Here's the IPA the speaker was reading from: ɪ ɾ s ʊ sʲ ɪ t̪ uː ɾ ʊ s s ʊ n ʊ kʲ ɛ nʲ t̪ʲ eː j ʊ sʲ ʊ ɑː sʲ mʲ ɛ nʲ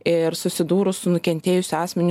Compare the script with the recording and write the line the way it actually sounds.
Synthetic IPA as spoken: ɪ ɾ s ʊ sʲ ɪ d̪ uː ɾ ʊ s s ʊ n ʊ kʲ ɛ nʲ t̪ʲ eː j ʊ sʲ ʊ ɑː sʲ mʲ ɛ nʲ